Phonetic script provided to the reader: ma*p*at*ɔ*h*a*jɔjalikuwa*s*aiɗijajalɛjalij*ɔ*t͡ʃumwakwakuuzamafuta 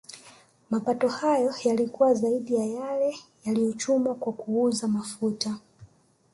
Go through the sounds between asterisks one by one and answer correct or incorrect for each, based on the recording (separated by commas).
correct, correct, correct, incorrect, correct